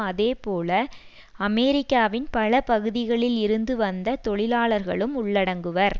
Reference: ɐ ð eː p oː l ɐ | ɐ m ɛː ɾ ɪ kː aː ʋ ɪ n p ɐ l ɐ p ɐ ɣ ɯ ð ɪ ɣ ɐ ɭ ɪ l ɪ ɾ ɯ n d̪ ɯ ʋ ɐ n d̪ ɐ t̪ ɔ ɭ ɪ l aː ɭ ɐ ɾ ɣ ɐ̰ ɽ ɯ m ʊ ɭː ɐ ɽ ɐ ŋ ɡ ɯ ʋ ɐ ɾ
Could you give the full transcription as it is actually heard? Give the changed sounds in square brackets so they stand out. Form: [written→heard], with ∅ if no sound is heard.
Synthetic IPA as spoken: ɐ ð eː p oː l ɐ | ɐ m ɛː ɾ ɪ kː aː ʋ ɪ n p ɐ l ɐ p ɐ ɣ ɯ ð ɪ ɣ ɐ ɭ ɪ l ɪ ɾ ɯ n d̪ ɯ ʋ ɐ n d̪ ɐ t̪ ɔ ɭ ɪ l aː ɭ ɐ ɾ ɣ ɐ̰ [ɽ→ɭ] ɯ m ʊ ɭː ɐ ɽ ɐ ŋ ɡ ɯ ʋ ɐ ɾ